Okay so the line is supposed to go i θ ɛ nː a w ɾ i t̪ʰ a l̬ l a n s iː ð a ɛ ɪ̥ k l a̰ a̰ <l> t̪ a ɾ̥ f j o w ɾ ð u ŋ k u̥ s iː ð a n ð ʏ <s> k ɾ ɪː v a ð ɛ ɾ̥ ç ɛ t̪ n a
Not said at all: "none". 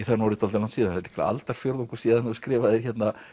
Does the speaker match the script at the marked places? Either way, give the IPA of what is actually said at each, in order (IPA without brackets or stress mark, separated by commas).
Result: l, s